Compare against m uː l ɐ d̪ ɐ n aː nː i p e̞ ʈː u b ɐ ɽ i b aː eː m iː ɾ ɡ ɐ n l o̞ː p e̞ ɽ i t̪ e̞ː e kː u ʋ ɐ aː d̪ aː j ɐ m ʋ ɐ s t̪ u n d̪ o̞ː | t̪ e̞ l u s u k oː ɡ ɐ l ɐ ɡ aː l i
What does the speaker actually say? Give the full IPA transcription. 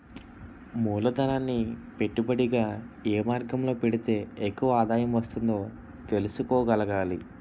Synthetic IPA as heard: m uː l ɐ d̪ ɐ n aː nː i p e̞ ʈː u b ɐ ɽ i ɡ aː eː m aː ɾ ɡ ɐ m l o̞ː p e̞ ɽ i t̪ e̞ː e kː u ʋ ɐ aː d̪ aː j ɐ m ʋ ɐ s t̪ u n d̪ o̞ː | t̪ e̞ l u s u k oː ɡ ɐ l ɐ ɡ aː l i